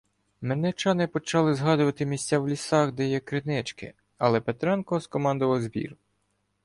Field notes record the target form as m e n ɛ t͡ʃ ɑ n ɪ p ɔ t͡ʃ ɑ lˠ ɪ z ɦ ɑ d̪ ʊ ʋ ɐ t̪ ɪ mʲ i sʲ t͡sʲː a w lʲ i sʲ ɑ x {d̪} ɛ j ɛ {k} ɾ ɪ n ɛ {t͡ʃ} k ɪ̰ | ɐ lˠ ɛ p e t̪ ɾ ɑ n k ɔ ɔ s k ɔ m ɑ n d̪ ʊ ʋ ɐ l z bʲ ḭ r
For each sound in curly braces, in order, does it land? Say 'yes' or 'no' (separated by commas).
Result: yes, yes, yes